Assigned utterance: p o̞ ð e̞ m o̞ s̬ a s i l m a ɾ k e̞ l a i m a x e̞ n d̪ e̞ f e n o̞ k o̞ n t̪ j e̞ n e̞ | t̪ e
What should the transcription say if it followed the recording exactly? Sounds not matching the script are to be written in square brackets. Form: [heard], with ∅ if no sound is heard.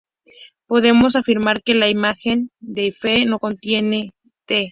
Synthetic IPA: p o̞ ð e̞ m o̞ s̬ a [f] i [ɾ] m a ɾ k e̞ l a i m a x e̞ n d̪ e̞ f e n o̞ k o̞ n t̪ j e̞ n e̞ | t̪ e